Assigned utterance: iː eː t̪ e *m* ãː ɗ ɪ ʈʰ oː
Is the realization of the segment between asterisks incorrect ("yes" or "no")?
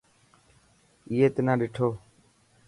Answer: yes